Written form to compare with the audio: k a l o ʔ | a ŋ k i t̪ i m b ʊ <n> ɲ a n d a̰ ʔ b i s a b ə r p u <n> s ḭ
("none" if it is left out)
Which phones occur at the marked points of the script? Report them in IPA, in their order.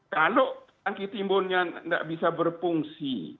n, ŋ

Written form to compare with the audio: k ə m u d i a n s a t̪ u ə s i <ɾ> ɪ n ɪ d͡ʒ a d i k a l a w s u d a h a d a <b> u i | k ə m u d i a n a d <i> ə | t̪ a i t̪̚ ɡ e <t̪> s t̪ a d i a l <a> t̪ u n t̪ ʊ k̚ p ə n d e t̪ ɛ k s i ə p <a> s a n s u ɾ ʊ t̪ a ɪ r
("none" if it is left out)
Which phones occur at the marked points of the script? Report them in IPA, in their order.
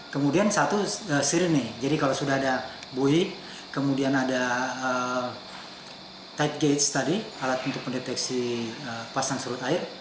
ɾ, b, a, t̪, a, a

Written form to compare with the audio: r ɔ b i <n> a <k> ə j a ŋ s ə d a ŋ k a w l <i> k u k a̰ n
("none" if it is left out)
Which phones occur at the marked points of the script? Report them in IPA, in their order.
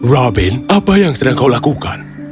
n, p, a

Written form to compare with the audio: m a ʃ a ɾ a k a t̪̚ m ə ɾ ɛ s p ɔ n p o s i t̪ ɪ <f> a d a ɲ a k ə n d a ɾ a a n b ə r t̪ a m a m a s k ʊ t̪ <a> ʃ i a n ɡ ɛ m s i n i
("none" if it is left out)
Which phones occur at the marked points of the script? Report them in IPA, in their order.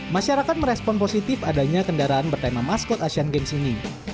f, a

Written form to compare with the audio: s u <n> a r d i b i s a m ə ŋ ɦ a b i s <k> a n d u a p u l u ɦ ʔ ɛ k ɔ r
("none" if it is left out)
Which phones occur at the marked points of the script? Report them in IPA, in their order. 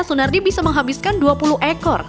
n, k

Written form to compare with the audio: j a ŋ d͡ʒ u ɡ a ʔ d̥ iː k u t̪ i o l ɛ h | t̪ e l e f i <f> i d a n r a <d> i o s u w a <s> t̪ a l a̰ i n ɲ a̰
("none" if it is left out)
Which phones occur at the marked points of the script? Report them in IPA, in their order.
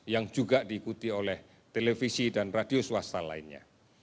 s, d, s

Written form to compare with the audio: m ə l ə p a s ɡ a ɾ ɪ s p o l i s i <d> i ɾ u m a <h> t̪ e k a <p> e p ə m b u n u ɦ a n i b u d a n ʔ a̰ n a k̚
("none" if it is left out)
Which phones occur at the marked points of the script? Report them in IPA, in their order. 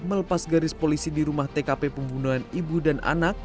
d, h, p

